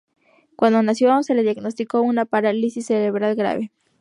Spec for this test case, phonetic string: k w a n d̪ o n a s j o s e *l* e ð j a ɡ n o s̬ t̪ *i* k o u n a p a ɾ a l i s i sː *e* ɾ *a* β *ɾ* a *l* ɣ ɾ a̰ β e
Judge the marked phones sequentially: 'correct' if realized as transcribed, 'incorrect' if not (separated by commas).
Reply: correct, correct, correct, incorrect, correct, correct